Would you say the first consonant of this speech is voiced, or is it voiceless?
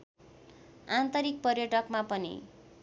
voiced